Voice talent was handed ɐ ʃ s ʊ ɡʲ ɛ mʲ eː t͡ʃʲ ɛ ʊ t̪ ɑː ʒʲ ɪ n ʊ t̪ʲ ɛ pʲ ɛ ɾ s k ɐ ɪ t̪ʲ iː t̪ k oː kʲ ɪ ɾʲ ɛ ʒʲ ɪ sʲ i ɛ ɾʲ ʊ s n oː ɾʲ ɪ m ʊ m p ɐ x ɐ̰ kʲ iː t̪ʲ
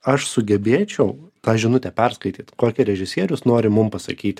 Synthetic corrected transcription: ɐ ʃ s ʊ ɡʲ ɛ bʲ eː t͡ʃʲ ɛ ʊ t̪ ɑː ʒʲ ɪ n ʊ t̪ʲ ɛ pʲ ɛ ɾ s k ɐ ɪ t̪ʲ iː t̪ k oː kʲ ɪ ɾʲ ɛ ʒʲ ɪ sʲ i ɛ ɾʲ ʊ s n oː ɾʲ ɪ m ʊ m p ɐ s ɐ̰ kʲ iː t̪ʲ